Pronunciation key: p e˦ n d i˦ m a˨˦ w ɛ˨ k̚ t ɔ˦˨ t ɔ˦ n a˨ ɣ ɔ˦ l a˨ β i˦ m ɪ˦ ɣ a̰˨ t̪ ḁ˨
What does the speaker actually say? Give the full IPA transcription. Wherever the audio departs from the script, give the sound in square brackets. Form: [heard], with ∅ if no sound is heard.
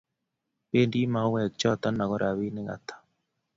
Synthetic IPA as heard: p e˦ n d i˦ m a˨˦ w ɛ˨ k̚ [t͡ʃ] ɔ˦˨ t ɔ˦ n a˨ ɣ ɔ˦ [ɾ] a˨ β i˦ [n] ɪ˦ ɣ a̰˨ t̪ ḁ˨